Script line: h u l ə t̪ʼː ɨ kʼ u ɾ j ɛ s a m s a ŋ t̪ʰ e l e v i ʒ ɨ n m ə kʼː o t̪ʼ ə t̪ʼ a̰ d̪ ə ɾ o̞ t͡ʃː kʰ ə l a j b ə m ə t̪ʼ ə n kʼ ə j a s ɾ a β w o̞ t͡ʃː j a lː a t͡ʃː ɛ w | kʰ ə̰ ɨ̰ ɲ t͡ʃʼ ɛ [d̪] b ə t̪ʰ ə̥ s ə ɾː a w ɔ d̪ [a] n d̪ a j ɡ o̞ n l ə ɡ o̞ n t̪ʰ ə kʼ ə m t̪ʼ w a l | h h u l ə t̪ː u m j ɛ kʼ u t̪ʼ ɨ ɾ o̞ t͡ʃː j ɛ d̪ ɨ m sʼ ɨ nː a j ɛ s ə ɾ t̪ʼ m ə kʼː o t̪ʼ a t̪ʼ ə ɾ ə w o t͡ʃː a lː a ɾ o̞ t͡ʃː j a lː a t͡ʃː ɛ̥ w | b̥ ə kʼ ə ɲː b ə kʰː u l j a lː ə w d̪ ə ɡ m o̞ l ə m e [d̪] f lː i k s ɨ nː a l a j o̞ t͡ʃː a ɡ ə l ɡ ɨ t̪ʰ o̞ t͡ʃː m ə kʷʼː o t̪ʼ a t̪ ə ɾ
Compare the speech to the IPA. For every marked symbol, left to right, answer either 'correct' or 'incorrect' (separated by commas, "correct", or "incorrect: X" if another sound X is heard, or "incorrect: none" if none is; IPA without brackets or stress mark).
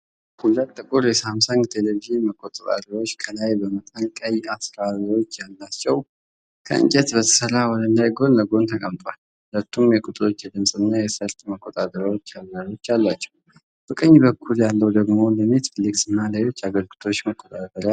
incorrect: t̪, incorrect: ə, incorrect: t̪